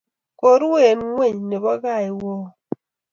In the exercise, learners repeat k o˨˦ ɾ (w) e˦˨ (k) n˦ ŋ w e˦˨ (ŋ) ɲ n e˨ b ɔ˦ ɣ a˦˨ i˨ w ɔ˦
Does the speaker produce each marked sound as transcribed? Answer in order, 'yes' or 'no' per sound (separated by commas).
yes, no, no